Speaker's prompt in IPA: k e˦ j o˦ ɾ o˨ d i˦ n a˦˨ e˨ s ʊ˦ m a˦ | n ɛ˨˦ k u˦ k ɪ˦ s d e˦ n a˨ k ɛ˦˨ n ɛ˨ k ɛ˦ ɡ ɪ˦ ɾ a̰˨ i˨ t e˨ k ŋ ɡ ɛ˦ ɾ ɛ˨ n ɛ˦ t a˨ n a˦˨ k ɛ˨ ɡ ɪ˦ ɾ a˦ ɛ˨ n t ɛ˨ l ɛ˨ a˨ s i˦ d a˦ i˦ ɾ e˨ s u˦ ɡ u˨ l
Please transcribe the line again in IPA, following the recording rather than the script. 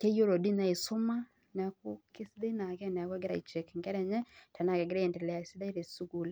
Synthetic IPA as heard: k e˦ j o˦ ɾ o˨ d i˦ n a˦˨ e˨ s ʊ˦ m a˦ | n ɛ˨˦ k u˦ k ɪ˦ s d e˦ n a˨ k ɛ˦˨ n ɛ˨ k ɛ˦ ɡ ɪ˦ ɾ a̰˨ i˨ t͡ʃ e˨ k ŋ ɡ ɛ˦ ɾ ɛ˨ ɲ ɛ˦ t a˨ n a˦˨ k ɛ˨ ɡ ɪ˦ ɾ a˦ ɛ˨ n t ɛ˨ l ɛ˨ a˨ s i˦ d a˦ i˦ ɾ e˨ s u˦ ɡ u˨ l